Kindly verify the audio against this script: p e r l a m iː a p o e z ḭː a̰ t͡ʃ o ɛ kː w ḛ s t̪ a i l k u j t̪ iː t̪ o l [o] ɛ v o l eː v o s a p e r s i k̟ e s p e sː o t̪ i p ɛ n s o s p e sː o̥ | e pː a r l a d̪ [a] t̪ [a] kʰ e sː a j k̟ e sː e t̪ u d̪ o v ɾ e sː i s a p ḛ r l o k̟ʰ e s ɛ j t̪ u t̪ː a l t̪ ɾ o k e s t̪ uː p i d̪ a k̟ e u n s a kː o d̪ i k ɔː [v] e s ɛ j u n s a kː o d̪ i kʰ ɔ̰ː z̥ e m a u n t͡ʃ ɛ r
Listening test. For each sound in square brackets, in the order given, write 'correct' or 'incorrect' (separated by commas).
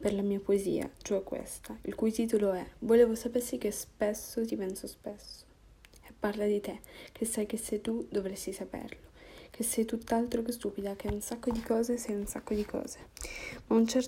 correct, incorrect, incorrect, incorrect